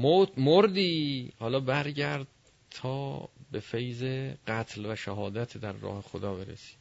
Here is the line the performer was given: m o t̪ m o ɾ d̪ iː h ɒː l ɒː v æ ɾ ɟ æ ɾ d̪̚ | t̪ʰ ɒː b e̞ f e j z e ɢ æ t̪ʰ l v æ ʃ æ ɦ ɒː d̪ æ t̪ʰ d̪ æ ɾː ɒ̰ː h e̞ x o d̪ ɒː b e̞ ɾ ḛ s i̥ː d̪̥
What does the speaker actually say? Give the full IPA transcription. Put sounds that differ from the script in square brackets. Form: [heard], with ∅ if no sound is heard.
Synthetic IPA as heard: m o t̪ m o ɾ d̪ iː h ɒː l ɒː [b] æ ɾ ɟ æ ɾ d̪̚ | t̪ʰ ɒː b e̞ f e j z e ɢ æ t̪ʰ l v æ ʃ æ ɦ ɒː d̪ æ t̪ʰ d̪ æ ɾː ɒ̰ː h e̞ x o d̪ ɒː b e̞ ɾ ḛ s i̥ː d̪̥